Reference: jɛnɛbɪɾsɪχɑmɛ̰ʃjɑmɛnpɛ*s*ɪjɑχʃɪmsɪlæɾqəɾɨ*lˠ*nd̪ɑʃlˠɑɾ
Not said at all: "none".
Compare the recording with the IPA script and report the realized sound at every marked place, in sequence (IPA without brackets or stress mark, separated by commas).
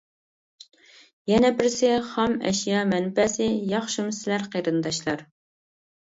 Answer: s, none